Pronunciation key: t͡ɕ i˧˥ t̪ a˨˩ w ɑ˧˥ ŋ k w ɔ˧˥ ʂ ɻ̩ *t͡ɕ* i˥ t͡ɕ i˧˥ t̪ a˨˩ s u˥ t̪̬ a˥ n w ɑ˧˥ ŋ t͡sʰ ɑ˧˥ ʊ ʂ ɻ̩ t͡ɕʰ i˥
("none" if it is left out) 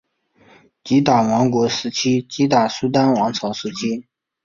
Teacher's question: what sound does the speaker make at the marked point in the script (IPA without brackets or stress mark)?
t͡ɕʰ